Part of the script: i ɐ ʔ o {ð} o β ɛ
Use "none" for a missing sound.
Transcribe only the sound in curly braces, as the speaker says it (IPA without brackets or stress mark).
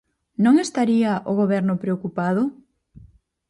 ɣ